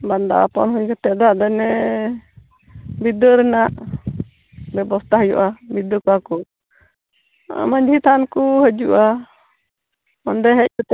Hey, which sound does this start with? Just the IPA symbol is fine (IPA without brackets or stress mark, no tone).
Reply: b